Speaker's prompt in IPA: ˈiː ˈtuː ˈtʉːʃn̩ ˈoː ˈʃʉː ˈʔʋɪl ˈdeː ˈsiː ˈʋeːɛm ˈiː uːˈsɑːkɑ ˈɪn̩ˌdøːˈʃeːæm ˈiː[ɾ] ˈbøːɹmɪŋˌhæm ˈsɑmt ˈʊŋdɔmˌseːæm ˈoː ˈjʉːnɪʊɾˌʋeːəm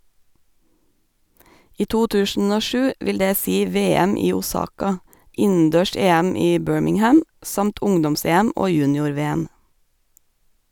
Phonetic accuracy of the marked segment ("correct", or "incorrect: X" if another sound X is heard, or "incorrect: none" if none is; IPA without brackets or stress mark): incorrect: none